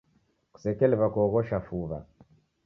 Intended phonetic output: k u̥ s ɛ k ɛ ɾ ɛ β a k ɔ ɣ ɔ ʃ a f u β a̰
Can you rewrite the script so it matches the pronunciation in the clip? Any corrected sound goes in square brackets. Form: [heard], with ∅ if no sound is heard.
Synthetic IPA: k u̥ s ɛ k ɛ [l] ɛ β a k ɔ ɣ ɔ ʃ a f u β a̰

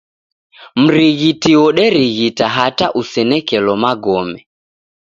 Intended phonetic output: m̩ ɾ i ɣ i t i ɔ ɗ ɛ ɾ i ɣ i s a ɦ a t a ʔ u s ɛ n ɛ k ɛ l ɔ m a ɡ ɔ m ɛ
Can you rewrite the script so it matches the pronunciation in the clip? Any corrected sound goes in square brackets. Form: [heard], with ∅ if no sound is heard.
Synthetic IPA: m̩ ɾ i ɣ i t i ɔ ɗ ɛ ɾ i ɣ i [t] a ɦ a t a ʔ u s ɛ n ɛ k ɛ l ɔ m a ɡ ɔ m ɛ

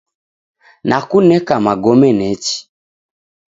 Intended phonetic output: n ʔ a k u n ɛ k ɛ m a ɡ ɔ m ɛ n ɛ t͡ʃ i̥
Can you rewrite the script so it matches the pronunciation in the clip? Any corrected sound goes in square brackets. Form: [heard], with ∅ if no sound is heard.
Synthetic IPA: n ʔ a k u n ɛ k [a] m a ɡ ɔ m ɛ n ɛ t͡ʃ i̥

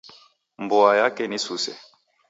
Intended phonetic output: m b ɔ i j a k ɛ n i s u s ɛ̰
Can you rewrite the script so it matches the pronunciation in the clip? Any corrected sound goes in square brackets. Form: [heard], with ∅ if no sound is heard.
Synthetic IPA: m b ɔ [a] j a k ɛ n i s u s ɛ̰

